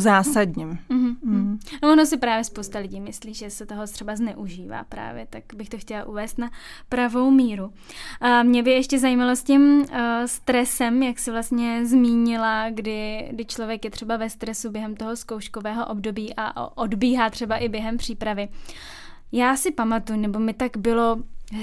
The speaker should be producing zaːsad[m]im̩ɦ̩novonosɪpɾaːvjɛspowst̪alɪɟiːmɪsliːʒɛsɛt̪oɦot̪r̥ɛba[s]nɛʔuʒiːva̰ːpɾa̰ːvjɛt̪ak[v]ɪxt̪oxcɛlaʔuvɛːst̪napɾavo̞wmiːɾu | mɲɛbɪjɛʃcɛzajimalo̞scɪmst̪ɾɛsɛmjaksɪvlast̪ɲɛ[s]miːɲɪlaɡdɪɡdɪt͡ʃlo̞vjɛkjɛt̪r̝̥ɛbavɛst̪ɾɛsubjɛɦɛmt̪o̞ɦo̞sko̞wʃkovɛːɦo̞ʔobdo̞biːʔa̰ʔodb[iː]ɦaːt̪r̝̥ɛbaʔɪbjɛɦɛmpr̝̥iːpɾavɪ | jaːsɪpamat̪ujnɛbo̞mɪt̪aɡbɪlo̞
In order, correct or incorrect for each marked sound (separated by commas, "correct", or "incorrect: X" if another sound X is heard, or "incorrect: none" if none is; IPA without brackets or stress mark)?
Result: incorrect: ɲ, incorrect: z, incorrect: b, incorrect: z, correct